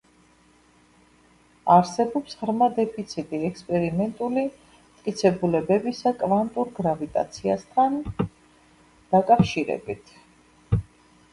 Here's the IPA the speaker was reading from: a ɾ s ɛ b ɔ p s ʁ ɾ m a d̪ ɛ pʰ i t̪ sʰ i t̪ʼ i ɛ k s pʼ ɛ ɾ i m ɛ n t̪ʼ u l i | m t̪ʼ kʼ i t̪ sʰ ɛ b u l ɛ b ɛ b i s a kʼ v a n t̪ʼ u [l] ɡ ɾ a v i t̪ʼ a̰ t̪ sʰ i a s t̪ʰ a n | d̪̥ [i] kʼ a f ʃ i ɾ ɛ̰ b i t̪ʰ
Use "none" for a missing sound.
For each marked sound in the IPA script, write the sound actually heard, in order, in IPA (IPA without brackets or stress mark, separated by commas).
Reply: ɾ, a